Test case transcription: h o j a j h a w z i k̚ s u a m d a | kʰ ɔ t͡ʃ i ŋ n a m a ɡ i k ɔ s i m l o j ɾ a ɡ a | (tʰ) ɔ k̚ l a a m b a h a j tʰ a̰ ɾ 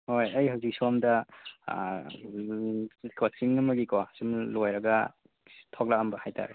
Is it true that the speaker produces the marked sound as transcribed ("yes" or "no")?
yes